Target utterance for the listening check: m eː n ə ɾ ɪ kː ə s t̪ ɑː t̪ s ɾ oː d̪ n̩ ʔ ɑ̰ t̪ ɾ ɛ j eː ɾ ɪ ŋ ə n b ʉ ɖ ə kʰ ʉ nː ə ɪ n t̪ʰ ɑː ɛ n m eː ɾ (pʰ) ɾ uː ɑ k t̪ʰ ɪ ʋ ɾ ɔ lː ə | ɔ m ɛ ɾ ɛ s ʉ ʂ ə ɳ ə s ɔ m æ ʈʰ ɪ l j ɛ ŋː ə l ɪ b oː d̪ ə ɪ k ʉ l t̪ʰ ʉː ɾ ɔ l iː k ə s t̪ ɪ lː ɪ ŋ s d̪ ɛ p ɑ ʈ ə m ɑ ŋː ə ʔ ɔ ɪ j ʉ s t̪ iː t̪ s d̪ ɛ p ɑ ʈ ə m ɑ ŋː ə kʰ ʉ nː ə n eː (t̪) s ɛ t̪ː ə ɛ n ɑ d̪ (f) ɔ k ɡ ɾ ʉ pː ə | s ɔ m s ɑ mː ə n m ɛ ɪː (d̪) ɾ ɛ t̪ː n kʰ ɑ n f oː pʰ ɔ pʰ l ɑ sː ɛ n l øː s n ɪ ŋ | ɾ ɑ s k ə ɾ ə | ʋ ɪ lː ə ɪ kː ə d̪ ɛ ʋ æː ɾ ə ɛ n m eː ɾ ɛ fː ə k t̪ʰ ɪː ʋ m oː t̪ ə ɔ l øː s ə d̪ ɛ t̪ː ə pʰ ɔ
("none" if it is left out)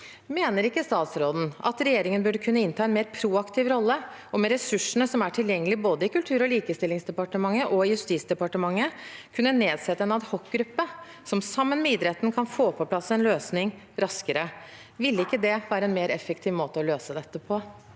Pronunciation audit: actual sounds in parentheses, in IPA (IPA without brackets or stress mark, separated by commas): pʰ, d̪, h, d̪